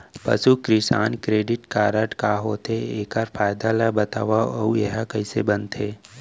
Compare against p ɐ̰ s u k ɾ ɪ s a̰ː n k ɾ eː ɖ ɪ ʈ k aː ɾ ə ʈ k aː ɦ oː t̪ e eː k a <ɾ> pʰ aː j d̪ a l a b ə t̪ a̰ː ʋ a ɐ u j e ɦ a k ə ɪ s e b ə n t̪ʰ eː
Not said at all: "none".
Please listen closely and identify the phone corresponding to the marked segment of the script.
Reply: ɾ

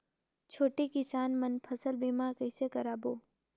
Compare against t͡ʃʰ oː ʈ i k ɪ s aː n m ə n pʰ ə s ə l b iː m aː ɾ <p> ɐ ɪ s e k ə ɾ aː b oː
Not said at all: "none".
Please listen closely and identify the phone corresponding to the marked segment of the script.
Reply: k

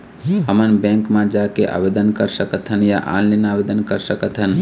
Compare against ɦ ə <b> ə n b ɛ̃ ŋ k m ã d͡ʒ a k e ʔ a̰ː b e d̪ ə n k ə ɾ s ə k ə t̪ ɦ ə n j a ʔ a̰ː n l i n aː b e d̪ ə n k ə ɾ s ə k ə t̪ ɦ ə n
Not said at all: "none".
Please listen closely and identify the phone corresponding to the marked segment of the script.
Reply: m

